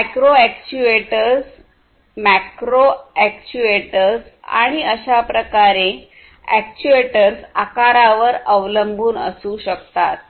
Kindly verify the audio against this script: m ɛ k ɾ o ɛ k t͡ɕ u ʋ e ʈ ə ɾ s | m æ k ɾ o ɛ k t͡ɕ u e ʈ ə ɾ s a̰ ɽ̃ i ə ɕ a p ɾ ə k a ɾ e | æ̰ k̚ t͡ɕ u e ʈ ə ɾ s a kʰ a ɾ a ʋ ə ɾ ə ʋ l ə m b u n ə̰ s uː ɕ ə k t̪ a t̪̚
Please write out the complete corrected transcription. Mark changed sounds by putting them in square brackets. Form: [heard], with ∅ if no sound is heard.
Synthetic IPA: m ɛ k ɾ o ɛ k t͡ɕ u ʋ e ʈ ə ɾ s | m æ k ɾ o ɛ k t͡ɕ u e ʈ ə ɾ s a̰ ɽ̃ i ə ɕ a p ɾ ə k a ɾ e | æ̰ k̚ t͡ɕ u e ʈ ə ɾ s a [k] a ɾ a ʋ ə ɾ ə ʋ l ə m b [uː] n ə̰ s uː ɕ ə k t̪ a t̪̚

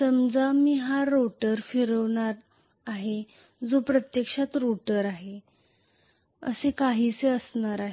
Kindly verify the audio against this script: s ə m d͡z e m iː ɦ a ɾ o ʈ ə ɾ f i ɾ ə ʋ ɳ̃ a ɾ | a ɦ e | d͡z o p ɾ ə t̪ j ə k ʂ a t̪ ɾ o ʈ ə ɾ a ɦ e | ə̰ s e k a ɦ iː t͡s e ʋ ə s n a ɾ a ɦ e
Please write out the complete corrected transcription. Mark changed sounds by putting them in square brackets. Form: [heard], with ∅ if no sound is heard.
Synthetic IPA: s ə m d͡z [a] m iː ɦ a ɾ o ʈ ə ɾ f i ɾ ə ʋ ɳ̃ a ɾ | a ɦ e | d͡z o p ɾ ə t̪ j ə k ʂ a t̪ ɾ o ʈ ə ɾ a ɦ e | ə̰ s e k a ɦ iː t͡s e [∅] ə s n a ɾ a ɦ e

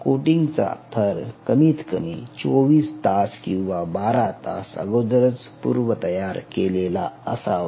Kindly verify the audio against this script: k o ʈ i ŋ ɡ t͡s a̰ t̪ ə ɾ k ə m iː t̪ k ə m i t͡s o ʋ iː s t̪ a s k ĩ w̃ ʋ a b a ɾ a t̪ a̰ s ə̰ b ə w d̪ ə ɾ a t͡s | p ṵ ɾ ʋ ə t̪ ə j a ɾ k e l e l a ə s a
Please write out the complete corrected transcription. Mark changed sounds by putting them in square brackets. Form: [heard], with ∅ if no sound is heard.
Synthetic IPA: k o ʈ i ŋ ɡ t͡s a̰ [t̪ʰ] ə ɾ k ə m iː t̪ k ə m i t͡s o ʋ iː s t̪ a s k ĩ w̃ ʋ a b a ɾ a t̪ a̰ s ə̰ [ɡ] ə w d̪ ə ɾ [ə] t͡s | p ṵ ɾ ʋ ə t̪ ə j a ɾ k e l e l a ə s a

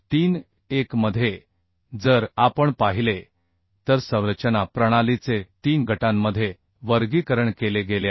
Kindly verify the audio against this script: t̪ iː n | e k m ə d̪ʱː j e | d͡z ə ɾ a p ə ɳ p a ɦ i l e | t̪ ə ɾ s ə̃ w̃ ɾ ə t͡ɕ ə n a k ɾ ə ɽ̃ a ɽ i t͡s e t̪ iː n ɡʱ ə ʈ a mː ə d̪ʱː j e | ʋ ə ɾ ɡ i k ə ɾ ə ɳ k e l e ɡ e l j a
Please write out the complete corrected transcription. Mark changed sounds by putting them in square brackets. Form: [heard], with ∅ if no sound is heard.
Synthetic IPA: t̪ iː n | e k m ə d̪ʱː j e | d͡z ə ɾ a p ə ɳ p a ɦ i l e | t̪ ə ɾ s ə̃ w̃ ɾ ə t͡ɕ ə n a [p] ɾ ə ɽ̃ a [l] i t͡s e t̪ iː n ɡʱ ə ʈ a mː ə d̪ʱː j e | ʋ ə ɾ ɡ i k ə ɾ ə ɳ k e l e ɡ e l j a

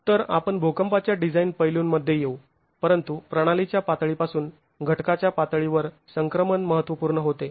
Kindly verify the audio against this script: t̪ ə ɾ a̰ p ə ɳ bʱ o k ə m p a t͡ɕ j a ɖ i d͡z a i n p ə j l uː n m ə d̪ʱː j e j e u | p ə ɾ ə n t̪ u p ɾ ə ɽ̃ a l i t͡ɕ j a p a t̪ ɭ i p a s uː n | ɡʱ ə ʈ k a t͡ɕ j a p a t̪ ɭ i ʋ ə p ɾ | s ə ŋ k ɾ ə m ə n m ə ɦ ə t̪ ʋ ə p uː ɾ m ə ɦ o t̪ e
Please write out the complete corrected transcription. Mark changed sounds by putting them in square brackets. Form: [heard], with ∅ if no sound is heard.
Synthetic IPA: t̪ ə ɾ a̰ p ə ɳ bʱ o k ə m p a t͡ɕ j a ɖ i d͡z a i n p ə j l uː n m ə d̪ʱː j e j e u | p ə ɾ ə n t̪ u p ɾ ə ɽ̃ a l i t͡ɕ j a p a t̪ ɭ i p a s uː n | ɡʱ ə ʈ k a t͡ɕ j a p a t̪ ɭ i ʋ ə [∅] ɾ | s ə ŋ k ɾ ə m ə n m ə ɦ ə t̪ ʋ ə p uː ɾ [ɳ] ə ɦ o t̪ e

